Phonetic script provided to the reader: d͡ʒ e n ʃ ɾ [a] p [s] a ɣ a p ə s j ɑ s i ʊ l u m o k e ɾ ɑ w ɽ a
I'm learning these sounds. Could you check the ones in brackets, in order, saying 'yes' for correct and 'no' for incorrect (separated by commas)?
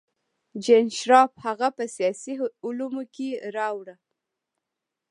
no, no